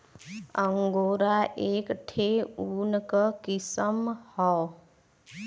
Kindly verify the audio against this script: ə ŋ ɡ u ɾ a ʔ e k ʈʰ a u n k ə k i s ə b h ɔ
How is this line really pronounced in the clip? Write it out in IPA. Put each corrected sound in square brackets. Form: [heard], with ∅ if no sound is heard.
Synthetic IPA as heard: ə ŋ ɡ [o] ɾ a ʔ e k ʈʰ [e] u n k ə k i s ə [m] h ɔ